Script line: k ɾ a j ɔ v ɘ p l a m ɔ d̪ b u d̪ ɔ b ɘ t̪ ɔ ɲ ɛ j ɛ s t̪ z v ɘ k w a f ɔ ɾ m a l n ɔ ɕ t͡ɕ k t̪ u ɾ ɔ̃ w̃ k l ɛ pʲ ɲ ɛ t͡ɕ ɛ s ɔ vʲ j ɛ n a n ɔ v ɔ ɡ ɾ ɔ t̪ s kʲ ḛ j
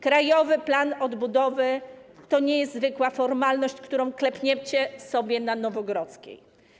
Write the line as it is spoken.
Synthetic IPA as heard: k ɾ a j ɔ v ɘ p l a n ɔ d̪ b u d̪ ɔ v ɘ t̪ ɔ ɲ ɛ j ɛ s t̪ z v ɘ k w a f ɔ ɾ m a l n ɔ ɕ t͡ɕ k t̪ u ɾ ɔ̃ w̃ k l ɛ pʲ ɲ ɛ t͡ɕ ɛ s ɔ bʲ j ɛ n a n ɔ v ɔ ɡ ɾ ɔ t̪ s kʲ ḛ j